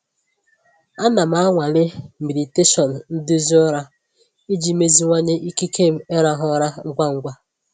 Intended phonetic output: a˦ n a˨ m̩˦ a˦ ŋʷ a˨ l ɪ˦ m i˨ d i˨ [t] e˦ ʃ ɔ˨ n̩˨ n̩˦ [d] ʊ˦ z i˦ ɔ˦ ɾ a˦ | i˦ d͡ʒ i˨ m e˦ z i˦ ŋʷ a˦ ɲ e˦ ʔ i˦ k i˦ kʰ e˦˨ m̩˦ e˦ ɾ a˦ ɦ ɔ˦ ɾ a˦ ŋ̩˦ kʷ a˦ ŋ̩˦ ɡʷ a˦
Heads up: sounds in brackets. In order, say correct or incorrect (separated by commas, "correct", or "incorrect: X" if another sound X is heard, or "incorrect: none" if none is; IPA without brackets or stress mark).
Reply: correct, correct